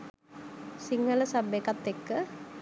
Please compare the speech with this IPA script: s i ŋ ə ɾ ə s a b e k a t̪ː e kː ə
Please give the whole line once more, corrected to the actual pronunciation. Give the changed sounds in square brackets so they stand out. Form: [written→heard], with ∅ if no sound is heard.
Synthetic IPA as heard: s i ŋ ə [ɾ→l] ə s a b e k a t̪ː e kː ə